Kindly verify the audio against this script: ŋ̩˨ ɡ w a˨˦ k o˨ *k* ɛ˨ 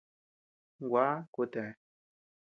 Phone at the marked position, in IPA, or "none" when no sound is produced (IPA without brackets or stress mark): t